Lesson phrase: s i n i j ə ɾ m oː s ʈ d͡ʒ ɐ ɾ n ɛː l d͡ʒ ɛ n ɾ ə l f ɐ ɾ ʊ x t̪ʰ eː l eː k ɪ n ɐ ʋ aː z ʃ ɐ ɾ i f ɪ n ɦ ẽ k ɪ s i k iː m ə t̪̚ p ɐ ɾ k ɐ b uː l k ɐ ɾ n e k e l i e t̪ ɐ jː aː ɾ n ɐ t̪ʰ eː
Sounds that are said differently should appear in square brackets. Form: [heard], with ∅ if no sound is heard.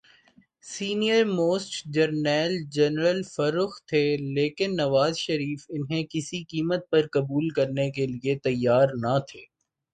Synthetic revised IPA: s [iː] n i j ə ɾ m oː s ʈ d͡ʒ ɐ ɾ n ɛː l d͡ʒ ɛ n ɾ ə l f ɐ ɾ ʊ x t̪ʰ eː l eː k ɪ [nː] ɐ ʋ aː z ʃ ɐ ɾ [iː] f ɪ n ɦ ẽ k ɪ s i k iː m ə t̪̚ p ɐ ɾ k ɐ b uː l k ɐ ɾ n e k e l i e t̪ ɐ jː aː ɾ n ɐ t̪ʰ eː